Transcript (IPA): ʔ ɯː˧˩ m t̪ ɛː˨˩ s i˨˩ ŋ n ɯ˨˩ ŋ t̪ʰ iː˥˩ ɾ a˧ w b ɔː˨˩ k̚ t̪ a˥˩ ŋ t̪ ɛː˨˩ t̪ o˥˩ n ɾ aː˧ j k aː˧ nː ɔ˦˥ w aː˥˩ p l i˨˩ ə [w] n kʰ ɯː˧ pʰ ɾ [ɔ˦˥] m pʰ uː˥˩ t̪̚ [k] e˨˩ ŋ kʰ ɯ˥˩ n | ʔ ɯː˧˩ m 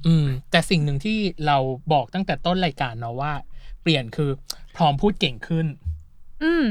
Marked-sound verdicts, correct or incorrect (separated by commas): incorrect, incorrect, correct